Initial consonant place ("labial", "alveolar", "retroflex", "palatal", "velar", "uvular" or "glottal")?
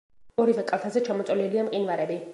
alveolar